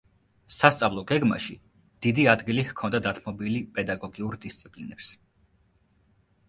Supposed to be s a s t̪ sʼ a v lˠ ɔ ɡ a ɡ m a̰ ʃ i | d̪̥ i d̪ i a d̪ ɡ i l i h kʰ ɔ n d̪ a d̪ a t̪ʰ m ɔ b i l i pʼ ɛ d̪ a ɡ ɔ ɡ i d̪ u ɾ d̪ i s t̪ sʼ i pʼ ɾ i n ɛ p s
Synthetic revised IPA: s a s t̪ sʼ a v lˠ ɔ ɡ ɛ ɡ m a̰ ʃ i | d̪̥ i d̪ i a d̪ ɡ i l i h kʰ ɔ n d̪ a d̪ a t̪ʰ m ɔ b i l i pʼ ɛ d̪ a ɡ ɔ ɡ i u ɾ d̪ i s t̪ sʼ i pʼ l i n ɛ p s